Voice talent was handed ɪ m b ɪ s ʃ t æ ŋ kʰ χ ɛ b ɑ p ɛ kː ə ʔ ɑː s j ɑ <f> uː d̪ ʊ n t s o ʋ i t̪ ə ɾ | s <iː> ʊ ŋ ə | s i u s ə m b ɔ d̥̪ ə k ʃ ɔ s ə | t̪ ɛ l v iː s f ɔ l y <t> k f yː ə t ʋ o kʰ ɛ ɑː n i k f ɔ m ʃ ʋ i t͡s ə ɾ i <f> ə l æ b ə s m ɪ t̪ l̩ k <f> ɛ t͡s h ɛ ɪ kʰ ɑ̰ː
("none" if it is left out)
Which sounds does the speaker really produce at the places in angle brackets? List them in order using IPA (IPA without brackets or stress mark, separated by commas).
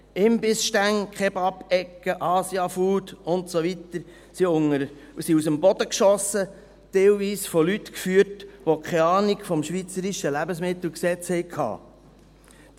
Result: f, i, t, ʃ, s